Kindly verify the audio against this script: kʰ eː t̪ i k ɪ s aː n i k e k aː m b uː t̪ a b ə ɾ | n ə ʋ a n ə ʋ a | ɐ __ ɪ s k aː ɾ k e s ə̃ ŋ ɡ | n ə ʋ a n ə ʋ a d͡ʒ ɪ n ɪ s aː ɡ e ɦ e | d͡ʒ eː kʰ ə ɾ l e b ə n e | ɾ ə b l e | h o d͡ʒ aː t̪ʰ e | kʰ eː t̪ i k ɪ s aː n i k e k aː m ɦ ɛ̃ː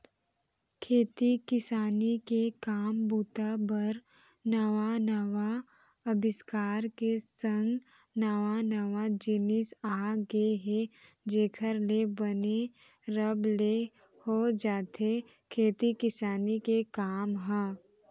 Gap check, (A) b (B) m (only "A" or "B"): A